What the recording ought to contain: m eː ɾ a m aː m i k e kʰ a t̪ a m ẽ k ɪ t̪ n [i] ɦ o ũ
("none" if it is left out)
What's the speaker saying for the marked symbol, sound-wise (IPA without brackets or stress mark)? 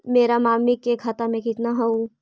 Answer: a